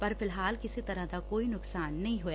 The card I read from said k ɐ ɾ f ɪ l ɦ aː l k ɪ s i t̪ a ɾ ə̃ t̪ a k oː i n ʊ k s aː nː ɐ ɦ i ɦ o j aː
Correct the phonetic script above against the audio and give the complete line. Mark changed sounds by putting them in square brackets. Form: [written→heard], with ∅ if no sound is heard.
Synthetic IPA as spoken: [k→p] ɐ ɾ f ɪ l ɦ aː l k ɪ s i t̪ [a→ɐ] ɾ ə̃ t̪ a k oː i n ʊ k s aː nː ɐ ɦ [i→ĩ] ɦ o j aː